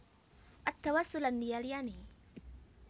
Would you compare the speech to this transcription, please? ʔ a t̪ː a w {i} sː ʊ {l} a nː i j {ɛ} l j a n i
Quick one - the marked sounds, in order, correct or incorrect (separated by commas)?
incorrect, correct, incorrect